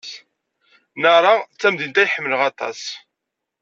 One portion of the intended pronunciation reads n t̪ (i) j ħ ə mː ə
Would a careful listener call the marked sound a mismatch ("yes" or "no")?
yes